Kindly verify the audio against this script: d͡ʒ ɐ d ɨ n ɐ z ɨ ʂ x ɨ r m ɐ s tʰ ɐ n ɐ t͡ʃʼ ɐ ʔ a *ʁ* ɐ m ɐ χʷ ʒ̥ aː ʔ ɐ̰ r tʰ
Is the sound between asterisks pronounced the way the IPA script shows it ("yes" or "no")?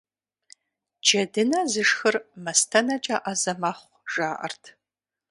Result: no